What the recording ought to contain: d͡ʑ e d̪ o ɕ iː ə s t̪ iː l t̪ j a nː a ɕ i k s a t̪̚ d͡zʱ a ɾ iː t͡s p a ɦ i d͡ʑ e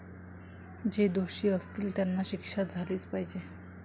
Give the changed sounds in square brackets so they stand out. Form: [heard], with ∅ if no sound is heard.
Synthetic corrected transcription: d͡ʑ e d̪ o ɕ iː ə s t̪ iː l t̪ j a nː a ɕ i k [ʂ] a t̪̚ d͡zʱ a [l] iː t͡s p a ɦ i d͡ʑ e